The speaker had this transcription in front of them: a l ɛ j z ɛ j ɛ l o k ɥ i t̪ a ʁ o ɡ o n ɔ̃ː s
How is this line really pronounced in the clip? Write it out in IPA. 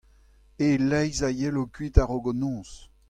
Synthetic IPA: e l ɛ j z a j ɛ l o k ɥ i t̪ a ʁ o ɡ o n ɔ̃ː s